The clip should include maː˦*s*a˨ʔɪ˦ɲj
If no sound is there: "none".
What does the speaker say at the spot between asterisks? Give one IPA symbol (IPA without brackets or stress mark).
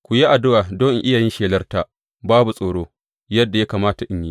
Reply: t